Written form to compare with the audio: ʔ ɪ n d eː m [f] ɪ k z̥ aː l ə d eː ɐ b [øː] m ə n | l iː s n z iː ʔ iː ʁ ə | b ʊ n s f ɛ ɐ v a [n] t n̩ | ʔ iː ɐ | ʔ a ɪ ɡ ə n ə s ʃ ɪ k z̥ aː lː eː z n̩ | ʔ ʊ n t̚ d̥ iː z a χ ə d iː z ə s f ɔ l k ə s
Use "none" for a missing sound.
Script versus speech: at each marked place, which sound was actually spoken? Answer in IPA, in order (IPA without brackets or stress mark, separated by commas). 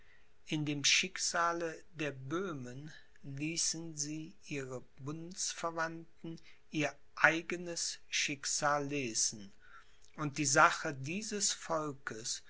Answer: ʃ, øː, n